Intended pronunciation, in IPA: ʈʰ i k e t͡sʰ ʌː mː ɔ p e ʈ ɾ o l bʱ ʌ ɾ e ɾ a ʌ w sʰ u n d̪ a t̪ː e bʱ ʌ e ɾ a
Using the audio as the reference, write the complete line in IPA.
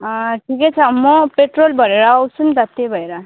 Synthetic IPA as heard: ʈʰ i k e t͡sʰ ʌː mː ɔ p e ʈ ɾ o l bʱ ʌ ɾ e ɾ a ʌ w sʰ u n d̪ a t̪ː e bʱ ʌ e ɾ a